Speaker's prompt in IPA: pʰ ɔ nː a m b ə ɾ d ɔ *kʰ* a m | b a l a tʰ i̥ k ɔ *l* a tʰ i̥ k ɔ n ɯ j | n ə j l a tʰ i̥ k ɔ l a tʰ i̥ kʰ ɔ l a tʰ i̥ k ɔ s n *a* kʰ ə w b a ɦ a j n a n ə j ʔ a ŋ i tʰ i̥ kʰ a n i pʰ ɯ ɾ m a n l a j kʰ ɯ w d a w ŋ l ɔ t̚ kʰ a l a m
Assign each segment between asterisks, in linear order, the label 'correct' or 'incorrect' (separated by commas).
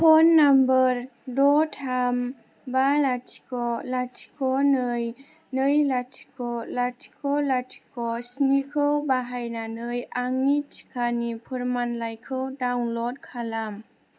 incorrect, correct, incorrect